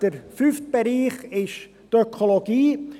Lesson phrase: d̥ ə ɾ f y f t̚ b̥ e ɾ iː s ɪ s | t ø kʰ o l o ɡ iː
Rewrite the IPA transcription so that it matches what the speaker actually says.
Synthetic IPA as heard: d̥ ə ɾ f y f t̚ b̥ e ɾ iː χ ɪ ʃ | t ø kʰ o l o ɡ iː